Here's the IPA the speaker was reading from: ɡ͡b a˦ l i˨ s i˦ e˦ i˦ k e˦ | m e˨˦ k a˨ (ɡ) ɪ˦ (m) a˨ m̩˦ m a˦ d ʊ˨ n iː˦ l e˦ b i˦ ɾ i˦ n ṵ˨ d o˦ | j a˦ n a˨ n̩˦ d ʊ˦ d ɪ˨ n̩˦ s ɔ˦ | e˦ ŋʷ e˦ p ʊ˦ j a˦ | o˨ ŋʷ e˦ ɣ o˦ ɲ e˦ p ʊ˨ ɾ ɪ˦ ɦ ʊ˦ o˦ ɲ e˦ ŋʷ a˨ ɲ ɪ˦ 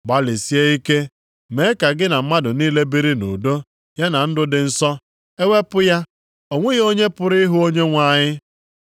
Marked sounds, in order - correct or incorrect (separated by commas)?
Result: correct, incorrect